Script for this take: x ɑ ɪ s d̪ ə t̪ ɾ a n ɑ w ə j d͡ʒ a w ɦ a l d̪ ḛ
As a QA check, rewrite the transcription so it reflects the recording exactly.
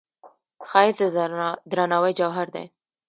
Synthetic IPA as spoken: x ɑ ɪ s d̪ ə d̪ ɾ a n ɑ w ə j d͡ʒ a w ɦ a ɾ d̪ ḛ